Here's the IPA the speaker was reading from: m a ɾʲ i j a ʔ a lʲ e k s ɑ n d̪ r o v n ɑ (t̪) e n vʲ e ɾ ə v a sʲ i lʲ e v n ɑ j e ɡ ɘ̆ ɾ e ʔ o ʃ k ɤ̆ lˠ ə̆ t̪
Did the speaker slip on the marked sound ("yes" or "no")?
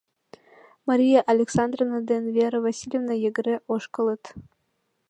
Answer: yes